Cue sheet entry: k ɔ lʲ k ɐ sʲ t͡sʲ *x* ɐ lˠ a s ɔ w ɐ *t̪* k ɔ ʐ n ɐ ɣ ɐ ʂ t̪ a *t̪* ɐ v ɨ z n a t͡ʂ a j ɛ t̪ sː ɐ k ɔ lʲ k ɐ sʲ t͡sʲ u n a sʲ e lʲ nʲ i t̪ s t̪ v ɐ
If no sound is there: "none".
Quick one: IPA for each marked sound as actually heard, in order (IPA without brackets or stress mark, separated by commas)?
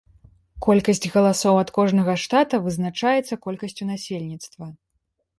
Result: ɣ, t̪, t̪